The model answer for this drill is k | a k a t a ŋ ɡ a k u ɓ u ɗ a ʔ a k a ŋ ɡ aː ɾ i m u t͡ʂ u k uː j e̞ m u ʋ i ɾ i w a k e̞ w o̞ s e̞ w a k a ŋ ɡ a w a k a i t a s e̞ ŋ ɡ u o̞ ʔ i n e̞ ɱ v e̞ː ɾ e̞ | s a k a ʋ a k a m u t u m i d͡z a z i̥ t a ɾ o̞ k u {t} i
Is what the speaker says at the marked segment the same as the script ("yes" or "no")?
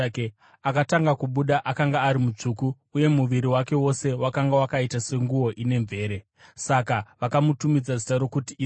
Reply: yes